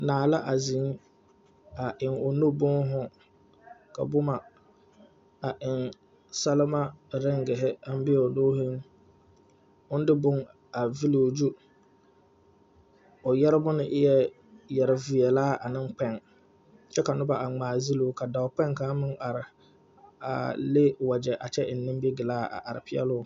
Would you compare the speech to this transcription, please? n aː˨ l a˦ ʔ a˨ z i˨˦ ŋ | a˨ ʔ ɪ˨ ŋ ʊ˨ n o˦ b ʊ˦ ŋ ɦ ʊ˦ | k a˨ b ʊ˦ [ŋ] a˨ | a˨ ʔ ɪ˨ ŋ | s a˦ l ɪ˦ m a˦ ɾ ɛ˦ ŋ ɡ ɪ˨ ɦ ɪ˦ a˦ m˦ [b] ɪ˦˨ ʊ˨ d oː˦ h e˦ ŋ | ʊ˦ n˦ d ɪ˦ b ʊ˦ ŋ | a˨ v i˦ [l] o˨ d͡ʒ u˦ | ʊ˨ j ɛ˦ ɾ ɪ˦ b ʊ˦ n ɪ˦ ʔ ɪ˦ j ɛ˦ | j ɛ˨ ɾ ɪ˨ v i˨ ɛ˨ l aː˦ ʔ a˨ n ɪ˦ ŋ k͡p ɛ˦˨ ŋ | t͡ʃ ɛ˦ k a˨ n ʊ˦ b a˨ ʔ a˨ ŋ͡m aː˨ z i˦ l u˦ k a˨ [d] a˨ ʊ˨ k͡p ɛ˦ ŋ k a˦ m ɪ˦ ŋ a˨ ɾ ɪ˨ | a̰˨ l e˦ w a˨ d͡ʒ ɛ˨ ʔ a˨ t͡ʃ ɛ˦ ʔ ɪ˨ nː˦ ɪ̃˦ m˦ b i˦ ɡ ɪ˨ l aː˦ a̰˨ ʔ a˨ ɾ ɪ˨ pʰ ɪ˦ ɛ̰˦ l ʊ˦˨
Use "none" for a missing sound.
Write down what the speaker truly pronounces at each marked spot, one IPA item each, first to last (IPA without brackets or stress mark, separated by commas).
m, b, l, d